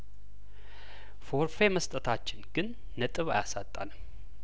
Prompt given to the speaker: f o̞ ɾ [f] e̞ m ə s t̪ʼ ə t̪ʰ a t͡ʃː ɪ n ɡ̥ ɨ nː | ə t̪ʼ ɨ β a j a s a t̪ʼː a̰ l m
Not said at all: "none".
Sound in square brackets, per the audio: f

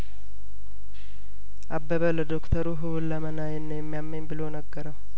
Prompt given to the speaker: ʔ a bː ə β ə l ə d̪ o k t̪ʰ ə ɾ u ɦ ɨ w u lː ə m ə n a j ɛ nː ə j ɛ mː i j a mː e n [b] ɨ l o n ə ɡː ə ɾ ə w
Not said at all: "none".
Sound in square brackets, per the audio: b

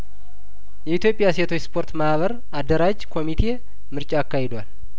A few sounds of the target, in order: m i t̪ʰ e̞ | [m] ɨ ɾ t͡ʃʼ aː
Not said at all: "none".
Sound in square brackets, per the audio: m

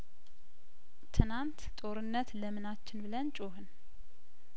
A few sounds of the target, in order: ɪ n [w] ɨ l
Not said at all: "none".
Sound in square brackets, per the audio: b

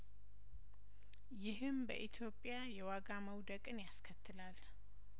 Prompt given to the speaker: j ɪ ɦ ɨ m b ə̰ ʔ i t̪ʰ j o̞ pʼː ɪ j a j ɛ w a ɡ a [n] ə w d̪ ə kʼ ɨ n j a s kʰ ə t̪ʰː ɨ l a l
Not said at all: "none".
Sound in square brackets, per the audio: m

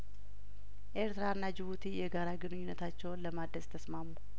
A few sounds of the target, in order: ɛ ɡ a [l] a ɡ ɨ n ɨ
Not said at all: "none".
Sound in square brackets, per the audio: ɾ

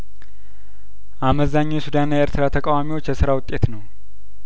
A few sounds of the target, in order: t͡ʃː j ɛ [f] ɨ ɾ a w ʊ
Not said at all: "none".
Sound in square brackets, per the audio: s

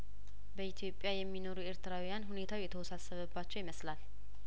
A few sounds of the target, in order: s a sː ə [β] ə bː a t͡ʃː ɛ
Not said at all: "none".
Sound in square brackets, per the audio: β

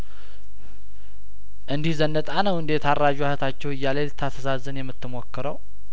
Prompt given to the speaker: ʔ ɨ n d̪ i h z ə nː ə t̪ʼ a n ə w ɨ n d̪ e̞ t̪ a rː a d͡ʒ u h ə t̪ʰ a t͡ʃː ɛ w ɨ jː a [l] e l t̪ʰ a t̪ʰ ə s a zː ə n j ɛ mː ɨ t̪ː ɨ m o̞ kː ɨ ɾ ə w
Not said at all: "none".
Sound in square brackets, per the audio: l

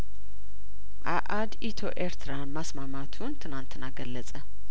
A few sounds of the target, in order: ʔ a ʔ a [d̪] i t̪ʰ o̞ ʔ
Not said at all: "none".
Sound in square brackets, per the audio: d̪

